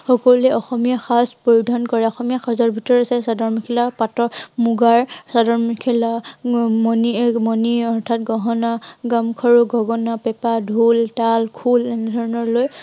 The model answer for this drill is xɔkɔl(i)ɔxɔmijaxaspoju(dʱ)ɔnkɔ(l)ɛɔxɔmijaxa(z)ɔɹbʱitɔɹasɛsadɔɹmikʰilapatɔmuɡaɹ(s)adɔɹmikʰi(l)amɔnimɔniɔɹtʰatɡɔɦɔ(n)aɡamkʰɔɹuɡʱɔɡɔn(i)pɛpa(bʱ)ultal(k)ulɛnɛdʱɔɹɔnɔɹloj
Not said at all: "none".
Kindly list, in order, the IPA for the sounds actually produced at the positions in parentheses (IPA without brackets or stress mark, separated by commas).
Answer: ɛ, dʱ, ɹ, z, s, l, n, a, dʱ, kʰ